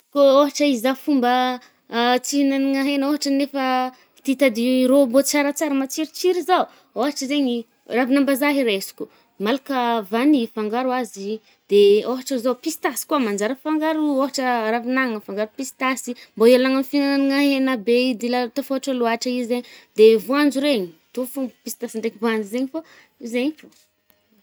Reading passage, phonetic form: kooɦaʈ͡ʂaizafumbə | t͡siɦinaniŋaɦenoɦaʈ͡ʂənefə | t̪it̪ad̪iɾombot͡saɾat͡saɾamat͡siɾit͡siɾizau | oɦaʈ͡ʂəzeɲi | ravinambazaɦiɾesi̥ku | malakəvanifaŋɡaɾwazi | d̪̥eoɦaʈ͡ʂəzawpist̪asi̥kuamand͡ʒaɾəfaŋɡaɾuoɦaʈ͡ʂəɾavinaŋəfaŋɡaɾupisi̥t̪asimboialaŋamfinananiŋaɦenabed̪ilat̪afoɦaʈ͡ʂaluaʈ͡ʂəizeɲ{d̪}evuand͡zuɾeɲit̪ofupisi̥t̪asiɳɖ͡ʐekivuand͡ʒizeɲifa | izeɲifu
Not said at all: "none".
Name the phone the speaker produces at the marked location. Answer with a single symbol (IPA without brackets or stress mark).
d̪